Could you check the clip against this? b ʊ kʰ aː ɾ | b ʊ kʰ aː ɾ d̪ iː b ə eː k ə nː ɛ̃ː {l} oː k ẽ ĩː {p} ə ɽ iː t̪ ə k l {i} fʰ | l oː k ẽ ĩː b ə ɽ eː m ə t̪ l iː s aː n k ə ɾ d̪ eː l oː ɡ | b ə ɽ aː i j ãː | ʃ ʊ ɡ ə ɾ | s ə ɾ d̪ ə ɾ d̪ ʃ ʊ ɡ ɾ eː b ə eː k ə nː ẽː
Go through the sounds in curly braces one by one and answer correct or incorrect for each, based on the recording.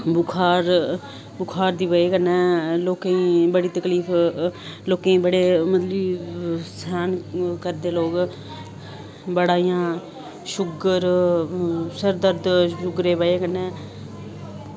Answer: correct, incorrect, incorrect

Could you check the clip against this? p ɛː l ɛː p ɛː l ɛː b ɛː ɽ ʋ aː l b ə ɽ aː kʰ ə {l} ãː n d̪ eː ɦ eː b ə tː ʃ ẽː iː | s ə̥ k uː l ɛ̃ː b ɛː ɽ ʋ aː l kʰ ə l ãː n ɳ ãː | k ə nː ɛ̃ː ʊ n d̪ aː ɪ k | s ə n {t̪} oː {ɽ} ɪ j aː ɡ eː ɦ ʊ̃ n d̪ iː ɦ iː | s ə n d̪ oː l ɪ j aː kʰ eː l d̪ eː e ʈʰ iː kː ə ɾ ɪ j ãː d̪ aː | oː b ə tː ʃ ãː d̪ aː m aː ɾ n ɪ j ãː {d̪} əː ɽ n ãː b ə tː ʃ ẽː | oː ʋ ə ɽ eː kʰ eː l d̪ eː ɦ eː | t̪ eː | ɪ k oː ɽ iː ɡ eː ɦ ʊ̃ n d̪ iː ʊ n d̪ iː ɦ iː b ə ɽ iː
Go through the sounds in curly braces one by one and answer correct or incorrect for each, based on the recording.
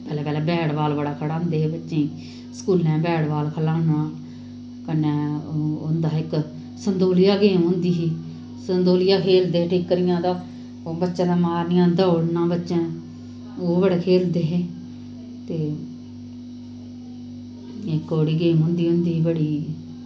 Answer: incorrect, incorrect, incorrect, correct

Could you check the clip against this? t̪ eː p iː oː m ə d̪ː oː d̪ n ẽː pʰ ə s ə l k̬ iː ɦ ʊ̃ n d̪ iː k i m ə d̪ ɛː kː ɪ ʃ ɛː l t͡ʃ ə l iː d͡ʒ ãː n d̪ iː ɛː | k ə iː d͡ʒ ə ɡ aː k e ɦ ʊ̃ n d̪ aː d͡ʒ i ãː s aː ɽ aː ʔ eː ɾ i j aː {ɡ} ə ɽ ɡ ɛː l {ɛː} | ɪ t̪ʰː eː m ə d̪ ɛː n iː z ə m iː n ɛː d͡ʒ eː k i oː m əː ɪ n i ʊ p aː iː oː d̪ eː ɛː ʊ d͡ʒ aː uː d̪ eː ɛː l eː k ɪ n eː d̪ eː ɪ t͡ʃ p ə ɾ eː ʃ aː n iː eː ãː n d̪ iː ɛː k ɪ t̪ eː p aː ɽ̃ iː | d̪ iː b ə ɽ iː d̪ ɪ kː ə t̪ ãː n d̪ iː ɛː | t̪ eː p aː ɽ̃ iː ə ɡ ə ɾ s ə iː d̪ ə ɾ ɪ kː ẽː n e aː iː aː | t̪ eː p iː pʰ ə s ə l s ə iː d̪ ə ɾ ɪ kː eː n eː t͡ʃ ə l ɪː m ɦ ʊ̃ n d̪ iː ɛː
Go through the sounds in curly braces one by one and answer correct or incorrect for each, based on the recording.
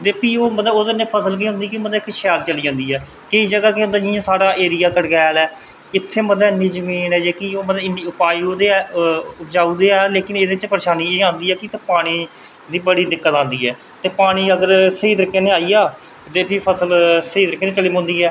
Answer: incorrect, correct

